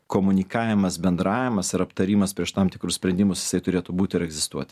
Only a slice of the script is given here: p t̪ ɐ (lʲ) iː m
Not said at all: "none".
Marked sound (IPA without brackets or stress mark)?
ɾʲ